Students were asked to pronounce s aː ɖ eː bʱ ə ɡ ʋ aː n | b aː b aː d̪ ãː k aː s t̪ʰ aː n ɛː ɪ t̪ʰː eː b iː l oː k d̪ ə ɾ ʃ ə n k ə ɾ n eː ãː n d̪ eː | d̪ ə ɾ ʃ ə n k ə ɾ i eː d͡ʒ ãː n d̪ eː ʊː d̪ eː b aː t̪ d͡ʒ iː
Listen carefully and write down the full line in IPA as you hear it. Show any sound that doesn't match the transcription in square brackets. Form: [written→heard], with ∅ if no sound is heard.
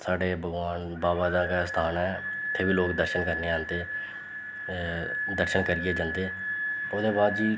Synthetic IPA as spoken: s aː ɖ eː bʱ ə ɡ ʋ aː n | b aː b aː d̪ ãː k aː s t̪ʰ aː n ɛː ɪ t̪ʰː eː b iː l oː k d̪ ə ɾ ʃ ə n k ə ɾ n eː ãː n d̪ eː | d̪ ə ɾ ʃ ə n k ə ɾ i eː d͡ʒ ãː n d̪ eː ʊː d̪ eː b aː [t̪→d̪] d͡ʒ iː

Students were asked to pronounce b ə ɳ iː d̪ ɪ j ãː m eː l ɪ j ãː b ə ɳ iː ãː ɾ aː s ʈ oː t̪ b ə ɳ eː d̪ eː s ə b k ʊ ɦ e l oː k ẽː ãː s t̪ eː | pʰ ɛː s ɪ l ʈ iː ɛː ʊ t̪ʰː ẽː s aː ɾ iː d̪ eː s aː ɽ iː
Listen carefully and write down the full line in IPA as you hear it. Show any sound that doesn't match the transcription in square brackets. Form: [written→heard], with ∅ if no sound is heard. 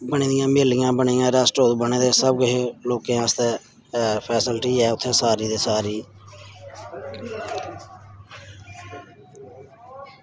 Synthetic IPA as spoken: b ə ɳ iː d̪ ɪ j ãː m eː l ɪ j ãː b ə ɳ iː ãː ɾ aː s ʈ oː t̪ b ə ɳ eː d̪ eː s ə b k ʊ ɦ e l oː k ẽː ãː s t̪ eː | pʰ ɛː s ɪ l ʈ iː ɛː ʊ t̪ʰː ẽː s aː ɾ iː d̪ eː s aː [ɽ→ɾ] iː

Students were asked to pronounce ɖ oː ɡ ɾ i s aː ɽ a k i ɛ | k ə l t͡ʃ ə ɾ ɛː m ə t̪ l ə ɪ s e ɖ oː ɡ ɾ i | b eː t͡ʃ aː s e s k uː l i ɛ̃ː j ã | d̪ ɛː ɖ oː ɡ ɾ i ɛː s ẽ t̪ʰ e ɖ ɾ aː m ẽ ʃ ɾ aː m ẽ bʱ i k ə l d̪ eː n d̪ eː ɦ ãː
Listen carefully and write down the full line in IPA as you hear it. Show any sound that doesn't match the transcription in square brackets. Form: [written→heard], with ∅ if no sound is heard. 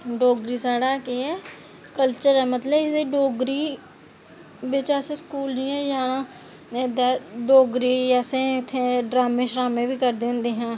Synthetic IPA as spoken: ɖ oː ɡ ɾ i s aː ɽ a k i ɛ | k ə l t͡ʃ ə ɾ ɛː m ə t̪ l ə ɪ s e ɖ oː ɡ ɾ i | b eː t͡ʃ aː s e s k uː l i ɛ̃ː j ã | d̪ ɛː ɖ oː ɡ ɾ i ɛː s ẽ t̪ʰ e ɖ ɾ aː m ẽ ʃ ɾ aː m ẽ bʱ i k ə [l→ɾ] d̪ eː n d̪ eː ɦ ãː

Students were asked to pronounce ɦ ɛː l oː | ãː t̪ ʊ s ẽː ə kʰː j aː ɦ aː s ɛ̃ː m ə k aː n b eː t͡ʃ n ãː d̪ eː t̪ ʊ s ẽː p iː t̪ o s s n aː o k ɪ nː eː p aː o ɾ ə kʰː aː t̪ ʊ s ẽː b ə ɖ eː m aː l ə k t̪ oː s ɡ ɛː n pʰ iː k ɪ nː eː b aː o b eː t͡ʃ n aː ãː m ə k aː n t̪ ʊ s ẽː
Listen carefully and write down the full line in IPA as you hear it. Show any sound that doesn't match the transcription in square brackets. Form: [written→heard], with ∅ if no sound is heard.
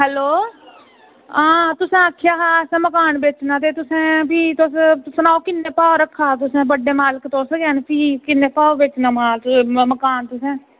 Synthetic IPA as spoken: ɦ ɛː l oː | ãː t̪ ʊ s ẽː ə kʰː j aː ɦ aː s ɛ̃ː m ə k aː n b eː t͡ʃ n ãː [d̪→t̪] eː t̪ ʊ s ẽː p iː t̪ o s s n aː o k ɪ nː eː p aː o ɾ ə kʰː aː t̪ ʊ s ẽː b ə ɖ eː m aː l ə k t̪ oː s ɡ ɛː n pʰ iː k ɪ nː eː [b→p] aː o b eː t͡ʃ n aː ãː m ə k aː n t̪ ʊ s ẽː

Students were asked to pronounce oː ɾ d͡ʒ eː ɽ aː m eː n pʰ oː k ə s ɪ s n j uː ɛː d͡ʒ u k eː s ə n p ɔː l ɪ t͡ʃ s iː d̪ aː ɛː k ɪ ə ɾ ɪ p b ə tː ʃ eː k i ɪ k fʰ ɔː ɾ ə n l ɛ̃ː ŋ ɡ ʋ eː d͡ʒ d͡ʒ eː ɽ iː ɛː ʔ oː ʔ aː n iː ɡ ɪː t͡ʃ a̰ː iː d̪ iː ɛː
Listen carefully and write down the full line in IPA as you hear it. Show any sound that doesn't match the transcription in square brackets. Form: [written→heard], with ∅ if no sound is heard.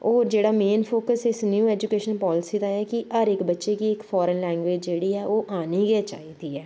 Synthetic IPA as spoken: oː ɾ d͡ʒ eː ɽ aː m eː n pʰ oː k ə s ɪ s n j uː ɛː d͡ʒ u k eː [s→ʃ] ə n p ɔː l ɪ [t͡ʃ→∅] s iː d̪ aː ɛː k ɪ ə ɾ ɪ [p→k] b ə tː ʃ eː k i ɪ k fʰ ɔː ɾ ə n l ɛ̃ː ŋ ɡ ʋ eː d͡ʒ d͡ʒ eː ɽ iː ɛː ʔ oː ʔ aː n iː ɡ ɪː t͡ʃ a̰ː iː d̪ iː ɛː

